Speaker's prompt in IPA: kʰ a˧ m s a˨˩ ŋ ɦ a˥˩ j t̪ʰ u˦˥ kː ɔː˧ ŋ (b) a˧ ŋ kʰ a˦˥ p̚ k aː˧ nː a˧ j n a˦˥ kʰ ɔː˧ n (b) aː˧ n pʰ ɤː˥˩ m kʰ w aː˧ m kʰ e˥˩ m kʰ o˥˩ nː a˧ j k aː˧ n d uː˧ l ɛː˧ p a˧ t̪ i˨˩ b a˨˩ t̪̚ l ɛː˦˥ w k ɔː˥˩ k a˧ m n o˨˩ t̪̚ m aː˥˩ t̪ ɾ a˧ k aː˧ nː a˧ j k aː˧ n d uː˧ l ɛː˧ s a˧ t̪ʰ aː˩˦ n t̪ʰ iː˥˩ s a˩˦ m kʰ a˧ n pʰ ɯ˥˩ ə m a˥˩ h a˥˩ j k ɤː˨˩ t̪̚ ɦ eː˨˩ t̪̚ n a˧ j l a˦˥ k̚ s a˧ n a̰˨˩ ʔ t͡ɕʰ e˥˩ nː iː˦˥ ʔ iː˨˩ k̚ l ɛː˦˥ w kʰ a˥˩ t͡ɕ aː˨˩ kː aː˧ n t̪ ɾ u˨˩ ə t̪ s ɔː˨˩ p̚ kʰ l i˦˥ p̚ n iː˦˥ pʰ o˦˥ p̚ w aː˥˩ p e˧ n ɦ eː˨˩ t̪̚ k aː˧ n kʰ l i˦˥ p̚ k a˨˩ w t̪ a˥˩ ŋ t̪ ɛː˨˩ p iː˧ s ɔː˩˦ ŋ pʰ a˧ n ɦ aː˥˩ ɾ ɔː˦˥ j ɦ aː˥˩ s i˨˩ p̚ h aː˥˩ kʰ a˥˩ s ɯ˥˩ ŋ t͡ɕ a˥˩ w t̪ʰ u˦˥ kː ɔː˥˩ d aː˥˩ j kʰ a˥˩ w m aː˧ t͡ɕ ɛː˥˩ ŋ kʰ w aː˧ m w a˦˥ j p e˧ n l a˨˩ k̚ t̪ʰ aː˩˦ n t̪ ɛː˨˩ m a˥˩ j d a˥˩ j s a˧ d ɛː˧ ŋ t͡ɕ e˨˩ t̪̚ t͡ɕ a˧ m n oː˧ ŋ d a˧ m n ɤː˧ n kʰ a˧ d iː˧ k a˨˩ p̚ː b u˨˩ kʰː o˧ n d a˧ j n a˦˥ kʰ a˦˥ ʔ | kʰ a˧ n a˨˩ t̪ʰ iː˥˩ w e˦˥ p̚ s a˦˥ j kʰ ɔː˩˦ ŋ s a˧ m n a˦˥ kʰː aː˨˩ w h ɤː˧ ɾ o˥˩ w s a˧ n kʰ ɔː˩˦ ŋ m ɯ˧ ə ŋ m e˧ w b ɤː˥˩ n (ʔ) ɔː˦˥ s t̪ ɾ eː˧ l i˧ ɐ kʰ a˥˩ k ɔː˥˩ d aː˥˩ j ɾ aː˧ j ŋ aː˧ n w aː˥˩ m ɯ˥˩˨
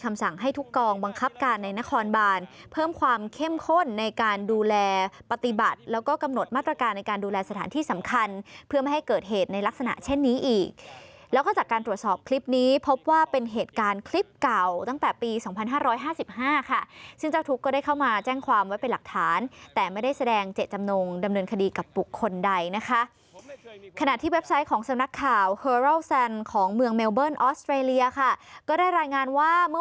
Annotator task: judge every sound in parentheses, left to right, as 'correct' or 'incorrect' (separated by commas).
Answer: correct, correct, correct